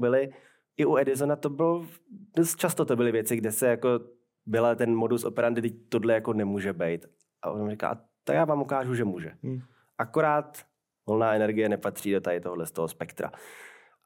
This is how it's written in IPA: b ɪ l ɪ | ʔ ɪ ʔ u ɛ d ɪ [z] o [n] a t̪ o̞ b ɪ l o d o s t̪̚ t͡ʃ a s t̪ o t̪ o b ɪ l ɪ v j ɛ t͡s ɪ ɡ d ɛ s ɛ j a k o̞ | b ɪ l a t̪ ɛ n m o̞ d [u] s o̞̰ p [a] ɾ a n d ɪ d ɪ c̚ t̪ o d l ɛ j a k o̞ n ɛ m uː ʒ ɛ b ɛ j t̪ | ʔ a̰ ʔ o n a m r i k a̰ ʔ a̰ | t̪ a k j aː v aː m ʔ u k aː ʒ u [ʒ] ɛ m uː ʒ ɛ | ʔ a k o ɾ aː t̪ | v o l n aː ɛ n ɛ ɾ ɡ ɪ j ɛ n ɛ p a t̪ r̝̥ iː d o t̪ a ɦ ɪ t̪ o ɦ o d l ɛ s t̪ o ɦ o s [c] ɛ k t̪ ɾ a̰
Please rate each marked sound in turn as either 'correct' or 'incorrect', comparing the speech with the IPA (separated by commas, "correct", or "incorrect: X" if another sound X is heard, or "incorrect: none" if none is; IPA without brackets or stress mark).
correct, correct, correct, incorrect: ɛ, correct, incorrect: p